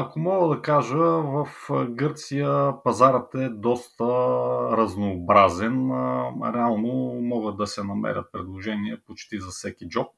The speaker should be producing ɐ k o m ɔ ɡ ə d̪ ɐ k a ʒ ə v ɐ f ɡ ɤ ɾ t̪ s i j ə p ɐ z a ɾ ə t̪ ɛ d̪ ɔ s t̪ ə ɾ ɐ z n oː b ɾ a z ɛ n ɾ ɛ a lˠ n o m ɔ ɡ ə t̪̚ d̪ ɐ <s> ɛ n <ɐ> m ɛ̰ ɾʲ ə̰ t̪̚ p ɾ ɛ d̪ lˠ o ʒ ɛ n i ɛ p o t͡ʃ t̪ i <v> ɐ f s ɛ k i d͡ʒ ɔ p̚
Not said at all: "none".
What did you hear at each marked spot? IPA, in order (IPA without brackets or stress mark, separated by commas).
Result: s, ɐ, z